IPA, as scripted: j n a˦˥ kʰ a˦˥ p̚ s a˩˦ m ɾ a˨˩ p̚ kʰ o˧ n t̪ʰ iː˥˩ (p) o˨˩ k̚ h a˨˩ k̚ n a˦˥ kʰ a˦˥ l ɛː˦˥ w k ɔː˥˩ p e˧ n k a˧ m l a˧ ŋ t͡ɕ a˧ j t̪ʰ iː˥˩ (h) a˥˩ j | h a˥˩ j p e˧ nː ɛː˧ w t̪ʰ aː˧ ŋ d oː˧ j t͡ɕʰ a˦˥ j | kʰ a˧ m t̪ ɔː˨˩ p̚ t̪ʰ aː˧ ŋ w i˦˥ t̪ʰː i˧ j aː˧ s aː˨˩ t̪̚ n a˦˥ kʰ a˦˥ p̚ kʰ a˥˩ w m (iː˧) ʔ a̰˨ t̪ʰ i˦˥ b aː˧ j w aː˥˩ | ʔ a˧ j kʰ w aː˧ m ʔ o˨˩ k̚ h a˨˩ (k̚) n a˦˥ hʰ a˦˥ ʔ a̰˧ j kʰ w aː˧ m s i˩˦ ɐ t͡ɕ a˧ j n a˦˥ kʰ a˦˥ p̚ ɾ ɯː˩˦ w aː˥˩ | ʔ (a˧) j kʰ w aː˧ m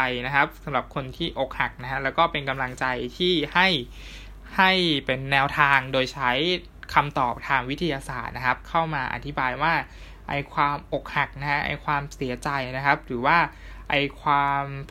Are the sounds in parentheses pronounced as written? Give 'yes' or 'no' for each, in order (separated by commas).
no, yes, no, yes, yes